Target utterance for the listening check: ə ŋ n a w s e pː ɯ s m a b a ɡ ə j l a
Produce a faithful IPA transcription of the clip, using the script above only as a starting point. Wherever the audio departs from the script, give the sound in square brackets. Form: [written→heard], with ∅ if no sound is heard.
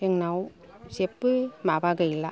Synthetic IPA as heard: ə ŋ n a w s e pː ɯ [s→∅] m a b a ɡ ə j l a